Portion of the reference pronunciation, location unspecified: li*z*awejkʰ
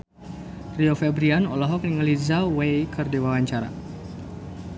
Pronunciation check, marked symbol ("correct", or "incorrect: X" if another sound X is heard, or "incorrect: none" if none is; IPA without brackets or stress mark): correct